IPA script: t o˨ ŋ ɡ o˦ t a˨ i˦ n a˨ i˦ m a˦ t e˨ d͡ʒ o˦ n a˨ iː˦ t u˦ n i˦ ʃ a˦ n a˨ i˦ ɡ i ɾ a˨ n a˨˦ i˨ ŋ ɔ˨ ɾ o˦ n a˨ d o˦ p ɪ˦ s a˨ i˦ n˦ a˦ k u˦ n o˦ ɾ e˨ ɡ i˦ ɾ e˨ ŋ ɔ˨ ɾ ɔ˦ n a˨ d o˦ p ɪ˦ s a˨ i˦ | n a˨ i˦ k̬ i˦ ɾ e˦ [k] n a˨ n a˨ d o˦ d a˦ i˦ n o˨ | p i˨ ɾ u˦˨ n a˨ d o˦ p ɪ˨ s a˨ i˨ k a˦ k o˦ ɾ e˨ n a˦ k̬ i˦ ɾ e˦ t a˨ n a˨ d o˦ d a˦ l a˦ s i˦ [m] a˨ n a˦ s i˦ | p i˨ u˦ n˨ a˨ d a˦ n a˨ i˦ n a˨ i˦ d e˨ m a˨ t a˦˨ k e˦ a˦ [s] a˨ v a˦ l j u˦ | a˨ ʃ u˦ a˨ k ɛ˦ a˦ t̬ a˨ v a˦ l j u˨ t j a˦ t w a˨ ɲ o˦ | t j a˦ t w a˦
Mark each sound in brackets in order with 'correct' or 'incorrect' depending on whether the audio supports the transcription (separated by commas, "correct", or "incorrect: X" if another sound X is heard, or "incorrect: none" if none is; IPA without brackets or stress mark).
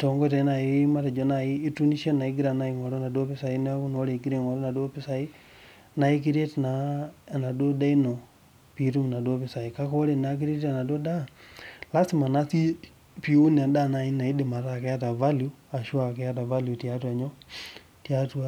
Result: incorrect: t, correct, incorrect: t